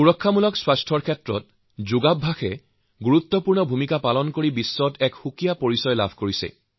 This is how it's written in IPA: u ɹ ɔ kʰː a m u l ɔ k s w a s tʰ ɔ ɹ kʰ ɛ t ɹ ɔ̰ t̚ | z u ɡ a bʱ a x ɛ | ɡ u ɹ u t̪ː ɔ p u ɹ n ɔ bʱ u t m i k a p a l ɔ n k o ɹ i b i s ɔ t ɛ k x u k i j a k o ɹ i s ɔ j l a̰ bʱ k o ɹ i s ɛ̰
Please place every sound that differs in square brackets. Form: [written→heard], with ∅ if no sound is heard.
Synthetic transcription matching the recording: u ɹ ɔ kʰː a m u l ɔ k s w a s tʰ ɔ ɹ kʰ ɛ t ɹ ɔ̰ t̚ | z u ɡ a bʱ a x ɛ | ɡ u ɹ u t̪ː ɔ p u ɹ n ɔ bʱ u [t→∅] m i k a p a l ɔ n k o ɹ i b i [s→sː] ɔ t ɛ k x u k i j a [k→p] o ɹ i s ɔ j l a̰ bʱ k o ɹ i s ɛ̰